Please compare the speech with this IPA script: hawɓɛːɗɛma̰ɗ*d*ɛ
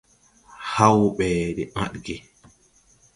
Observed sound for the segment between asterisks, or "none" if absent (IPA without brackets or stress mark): ɡ